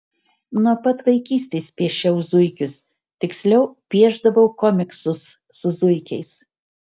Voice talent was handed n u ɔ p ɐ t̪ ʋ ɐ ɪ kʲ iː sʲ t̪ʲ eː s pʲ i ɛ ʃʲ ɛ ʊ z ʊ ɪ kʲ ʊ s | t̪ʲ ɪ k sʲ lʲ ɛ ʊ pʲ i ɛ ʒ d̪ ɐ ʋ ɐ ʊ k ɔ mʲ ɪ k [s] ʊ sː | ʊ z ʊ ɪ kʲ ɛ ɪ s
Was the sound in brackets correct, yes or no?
yes